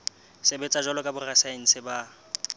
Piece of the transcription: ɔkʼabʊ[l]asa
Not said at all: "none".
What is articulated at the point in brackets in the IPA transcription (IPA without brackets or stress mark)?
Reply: r